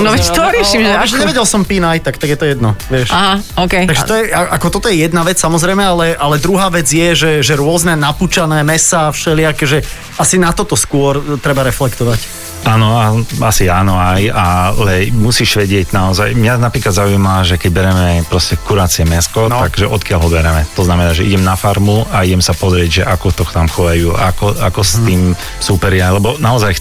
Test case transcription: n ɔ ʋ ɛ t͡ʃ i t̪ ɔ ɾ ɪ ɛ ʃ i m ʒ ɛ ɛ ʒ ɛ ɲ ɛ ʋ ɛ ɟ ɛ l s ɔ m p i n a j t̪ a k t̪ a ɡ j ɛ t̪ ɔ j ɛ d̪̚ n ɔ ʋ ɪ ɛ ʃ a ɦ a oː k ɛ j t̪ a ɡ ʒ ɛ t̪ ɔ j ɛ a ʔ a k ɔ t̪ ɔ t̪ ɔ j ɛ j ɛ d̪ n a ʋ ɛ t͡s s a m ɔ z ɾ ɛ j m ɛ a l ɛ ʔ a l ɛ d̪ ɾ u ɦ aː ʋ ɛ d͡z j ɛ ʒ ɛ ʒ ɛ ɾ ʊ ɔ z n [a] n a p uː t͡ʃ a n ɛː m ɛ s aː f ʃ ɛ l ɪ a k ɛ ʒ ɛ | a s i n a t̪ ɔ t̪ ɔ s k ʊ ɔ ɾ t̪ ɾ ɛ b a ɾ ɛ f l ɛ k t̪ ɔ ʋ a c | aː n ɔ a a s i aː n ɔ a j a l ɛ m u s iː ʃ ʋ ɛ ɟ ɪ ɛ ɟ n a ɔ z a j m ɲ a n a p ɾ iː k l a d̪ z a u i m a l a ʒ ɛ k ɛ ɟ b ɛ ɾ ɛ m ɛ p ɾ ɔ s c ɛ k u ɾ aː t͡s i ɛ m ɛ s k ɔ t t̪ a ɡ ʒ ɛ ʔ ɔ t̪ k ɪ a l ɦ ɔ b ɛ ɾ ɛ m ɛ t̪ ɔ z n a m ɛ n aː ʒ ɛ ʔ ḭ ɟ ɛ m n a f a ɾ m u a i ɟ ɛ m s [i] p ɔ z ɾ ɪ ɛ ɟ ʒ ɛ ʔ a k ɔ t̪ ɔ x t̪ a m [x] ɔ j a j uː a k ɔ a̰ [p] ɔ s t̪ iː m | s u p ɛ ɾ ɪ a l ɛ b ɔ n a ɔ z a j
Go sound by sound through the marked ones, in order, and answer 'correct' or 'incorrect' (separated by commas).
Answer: incorrect, incorrect, correct, incorrect